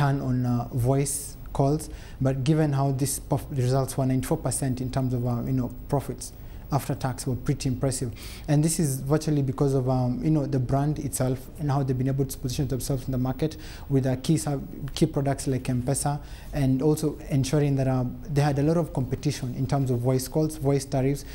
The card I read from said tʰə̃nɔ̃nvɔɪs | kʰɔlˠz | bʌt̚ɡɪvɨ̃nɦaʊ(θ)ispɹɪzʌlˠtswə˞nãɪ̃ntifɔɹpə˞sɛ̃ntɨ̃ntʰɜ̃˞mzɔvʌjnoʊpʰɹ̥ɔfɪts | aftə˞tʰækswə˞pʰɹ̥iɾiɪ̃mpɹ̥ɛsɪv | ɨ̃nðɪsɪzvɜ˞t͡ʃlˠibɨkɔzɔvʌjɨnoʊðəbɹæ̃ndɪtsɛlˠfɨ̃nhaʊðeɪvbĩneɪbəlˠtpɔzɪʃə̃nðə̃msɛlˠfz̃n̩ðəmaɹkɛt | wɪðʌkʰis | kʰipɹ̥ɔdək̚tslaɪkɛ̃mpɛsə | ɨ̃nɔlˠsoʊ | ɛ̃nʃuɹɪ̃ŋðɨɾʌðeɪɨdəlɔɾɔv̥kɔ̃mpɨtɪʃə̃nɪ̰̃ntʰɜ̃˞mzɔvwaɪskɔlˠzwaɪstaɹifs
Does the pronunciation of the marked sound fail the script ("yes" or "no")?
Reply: yes